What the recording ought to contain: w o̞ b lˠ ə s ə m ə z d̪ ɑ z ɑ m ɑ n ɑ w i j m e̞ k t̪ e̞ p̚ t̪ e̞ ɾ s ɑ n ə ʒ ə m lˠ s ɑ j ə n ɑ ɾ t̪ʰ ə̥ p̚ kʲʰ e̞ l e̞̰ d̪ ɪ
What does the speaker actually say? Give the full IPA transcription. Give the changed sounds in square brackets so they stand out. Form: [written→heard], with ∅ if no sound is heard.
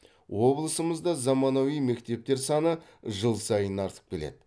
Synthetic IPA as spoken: w o̞ b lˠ ə s ə m ə z d̪ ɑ z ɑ m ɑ n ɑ w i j m e̞ k t̪ e̞ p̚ t̪ e̞ ɾ s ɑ n ə ʒ ə [m→∅] lˠ s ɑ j ə n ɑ ɾ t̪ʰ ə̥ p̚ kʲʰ e̞ l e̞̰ d̪ ɪ